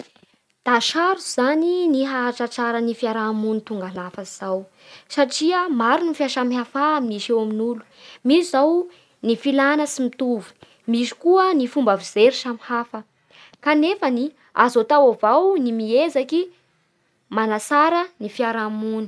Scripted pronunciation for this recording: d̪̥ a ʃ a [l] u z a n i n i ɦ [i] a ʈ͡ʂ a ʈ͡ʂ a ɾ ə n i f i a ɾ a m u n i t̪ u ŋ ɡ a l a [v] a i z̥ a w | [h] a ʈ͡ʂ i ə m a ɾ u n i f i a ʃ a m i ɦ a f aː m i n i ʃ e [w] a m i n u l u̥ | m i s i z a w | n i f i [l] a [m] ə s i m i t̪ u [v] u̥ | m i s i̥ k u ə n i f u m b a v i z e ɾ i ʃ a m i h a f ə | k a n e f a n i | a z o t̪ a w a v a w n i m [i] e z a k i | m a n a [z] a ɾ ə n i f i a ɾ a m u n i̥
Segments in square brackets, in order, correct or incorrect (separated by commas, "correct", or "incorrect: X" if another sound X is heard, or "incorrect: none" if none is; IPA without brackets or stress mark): incorrect: ɾ, incorrect: a, incorrect: f, incorrect: s, correct, correct, incorrect: n, correct, correct, incorrect: s